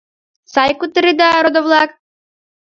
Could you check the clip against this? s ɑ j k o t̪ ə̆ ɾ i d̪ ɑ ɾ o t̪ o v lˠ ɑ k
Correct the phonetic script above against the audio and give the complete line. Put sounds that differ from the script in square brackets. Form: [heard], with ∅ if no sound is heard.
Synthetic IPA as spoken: s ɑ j k [u] t̪ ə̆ ɾ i d̪ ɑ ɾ o [d̪] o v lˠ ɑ k